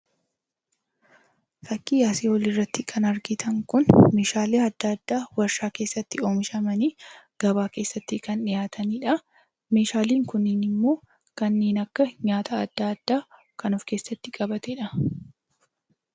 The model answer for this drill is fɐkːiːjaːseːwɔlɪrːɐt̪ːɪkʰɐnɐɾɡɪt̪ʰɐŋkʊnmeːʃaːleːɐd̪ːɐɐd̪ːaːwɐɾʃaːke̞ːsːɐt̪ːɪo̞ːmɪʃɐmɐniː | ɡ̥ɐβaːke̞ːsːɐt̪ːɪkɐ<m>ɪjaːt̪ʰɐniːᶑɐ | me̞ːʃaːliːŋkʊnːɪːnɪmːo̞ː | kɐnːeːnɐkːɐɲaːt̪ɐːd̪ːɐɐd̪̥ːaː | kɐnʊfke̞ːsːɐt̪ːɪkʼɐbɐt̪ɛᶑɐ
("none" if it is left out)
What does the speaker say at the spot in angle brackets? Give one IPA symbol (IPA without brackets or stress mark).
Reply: n